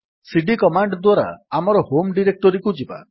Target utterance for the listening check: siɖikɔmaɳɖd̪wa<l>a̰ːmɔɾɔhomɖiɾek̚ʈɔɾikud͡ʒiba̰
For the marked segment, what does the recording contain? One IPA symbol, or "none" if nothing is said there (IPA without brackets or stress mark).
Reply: ɾ